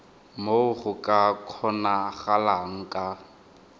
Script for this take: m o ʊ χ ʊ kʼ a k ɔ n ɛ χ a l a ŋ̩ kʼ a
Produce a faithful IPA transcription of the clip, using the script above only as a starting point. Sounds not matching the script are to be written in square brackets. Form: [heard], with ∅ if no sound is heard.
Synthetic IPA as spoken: m o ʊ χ ʊ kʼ a [kʰ] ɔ n [a] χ a l a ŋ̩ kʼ a